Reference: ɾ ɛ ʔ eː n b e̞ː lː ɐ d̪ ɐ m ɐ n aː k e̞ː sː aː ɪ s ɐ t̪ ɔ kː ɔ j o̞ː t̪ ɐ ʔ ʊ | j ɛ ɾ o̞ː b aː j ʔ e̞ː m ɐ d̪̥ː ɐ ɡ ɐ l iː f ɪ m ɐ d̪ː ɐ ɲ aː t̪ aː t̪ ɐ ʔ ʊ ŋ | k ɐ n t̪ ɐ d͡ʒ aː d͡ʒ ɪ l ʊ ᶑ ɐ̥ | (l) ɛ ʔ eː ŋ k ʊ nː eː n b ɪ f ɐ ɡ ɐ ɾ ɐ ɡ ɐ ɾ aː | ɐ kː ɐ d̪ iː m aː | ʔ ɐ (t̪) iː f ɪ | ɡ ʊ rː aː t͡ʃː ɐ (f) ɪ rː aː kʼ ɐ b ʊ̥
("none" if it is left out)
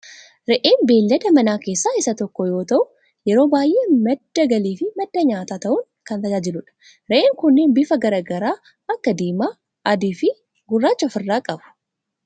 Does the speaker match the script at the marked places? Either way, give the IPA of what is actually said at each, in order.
ɾ, d̪, f

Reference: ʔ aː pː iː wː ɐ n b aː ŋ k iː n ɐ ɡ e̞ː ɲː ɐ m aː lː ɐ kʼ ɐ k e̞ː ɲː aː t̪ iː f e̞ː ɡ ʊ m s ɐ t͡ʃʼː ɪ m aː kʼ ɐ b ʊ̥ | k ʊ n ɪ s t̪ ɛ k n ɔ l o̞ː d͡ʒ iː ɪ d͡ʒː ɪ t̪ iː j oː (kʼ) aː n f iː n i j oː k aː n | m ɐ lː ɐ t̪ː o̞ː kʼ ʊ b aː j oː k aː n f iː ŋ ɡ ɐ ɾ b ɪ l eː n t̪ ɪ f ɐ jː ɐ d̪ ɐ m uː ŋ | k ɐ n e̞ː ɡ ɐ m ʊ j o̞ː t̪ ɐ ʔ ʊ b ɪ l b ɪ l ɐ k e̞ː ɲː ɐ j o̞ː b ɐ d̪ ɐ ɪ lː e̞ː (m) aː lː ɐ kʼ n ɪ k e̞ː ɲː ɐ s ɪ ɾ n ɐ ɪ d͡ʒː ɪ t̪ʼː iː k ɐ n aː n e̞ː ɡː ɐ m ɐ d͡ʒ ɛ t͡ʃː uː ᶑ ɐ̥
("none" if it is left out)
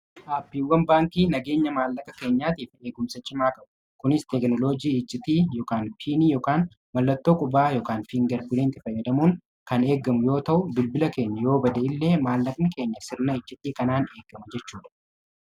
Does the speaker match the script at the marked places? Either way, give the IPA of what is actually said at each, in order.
k, m

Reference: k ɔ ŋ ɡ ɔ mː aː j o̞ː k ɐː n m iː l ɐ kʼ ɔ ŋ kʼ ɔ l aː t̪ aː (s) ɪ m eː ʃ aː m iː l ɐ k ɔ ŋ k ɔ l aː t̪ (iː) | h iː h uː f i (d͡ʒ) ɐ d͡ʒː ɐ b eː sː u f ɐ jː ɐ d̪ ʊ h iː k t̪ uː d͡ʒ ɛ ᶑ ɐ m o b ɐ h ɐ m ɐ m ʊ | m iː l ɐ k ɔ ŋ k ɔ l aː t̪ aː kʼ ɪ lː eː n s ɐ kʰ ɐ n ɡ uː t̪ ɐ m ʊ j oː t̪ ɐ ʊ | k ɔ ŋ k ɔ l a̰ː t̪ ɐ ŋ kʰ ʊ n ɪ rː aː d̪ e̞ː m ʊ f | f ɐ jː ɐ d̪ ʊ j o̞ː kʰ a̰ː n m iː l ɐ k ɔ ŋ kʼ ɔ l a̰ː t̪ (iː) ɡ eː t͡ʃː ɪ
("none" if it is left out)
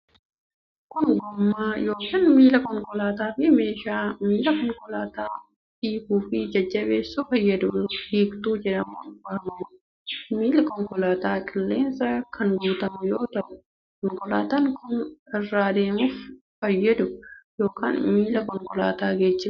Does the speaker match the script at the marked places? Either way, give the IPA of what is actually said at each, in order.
f, aː, d͡ʒ, aː

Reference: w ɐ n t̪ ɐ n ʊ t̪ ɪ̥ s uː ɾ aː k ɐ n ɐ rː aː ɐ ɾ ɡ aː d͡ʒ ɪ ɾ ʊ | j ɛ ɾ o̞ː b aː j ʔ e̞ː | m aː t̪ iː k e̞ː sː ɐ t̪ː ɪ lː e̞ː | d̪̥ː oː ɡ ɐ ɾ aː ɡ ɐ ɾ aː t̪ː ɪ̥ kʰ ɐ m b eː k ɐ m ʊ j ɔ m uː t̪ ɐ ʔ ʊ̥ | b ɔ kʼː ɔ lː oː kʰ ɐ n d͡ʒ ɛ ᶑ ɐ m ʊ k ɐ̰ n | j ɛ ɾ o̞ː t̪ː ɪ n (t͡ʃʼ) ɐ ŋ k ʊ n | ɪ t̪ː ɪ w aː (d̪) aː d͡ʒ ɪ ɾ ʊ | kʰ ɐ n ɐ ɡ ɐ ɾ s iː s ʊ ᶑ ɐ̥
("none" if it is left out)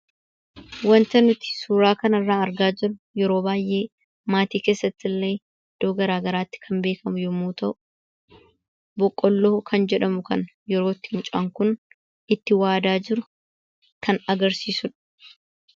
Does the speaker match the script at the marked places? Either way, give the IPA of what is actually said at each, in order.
t͡ʃʼ, d̪

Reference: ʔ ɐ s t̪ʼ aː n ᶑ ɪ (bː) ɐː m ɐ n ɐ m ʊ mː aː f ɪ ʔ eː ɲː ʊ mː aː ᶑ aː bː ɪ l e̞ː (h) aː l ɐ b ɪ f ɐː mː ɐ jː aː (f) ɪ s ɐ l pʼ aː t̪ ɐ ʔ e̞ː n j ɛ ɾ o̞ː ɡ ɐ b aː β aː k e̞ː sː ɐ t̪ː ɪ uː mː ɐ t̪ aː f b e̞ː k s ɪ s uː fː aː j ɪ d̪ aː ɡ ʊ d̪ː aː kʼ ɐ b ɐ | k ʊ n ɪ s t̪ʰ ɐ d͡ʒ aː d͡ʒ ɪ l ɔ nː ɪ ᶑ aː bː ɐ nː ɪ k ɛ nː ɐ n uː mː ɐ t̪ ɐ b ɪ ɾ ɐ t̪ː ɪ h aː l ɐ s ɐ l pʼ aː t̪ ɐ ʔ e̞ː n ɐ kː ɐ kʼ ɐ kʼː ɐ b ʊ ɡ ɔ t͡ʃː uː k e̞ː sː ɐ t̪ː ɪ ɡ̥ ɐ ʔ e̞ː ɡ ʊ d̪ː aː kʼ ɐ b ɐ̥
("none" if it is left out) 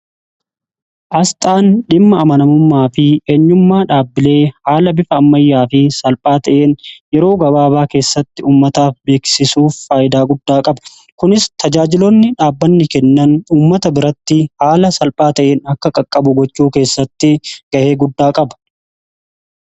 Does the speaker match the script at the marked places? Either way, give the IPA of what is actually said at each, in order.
mː, h, f

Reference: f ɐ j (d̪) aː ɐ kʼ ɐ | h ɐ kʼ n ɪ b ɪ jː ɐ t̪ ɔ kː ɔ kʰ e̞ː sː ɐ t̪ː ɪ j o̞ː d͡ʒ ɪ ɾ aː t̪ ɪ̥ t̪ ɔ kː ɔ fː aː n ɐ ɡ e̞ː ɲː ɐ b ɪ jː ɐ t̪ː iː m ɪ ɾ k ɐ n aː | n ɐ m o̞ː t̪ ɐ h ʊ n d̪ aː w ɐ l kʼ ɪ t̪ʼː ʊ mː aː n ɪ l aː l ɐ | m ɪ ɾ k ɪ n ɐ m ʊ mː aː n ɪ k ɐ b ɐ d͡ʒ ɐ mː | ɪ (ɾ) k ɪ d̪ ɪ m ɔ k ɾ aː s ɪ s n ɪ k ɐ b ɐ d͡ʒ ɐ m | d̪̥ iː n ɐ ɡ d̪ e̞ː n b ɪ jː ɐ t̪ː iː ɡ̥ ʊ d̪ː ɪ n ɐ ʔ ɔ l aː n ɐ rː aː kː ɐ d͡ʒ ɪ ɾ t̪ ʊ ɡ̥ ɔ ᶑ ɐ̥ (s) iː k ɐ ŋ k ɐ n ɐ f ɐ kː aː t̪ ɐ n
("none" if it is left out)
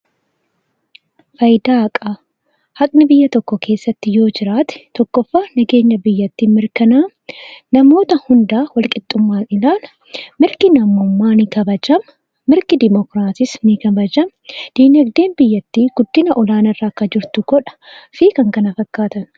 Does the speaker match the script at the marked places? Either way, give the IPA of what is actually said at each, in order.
d̪, ɾ, f

